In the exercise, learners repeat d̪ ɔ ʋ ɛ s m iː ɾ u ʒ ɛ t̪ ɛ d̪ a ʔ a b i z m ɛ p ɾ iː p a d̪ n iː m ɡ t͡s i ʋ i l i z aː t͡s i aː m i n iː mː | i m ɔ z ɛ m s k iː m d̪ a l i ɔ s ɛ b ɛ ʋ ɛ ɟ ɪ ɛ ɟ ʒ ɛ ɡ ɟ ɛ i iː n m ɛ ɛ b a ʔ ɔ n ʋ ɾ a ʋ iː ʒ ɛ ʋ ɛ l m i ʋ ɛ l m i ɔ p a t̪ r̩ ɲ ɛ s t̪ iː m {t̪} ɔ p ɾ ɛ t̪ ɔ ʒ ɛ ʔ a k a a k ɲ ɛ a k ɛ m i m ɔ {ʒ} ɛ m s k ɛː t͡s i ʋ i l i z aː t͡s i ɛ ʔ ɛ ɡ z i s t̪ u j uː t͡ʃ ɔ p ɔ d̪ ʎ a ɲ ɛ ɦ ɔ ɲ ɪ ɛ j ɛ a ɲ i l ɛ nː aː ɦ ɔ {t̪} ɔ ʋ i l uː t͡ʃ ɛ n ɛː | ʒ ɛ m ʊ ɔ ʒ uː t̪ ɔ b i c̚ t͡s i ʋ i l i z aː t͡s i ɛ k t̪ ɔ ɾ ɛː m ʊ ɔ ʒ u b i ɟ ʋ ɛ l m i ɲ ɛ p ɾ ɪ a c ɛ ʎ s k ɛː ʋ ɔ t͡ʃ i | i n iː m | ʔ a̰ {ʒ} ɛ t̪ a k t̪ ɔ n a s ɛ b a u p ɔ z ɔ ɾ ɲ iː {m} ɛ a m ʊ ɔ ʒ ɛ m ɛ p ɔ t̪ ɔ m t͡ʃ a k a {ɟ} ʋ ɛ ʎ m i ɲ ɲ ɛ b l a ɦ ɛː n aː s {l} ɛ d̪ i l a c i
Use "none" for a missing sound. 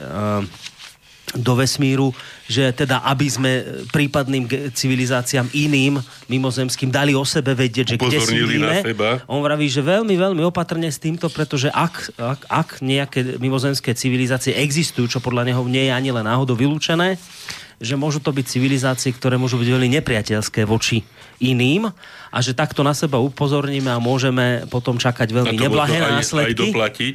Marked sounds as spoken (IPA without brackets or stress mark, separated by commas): t̪, z, d̪, ʒ, m, ɟ, l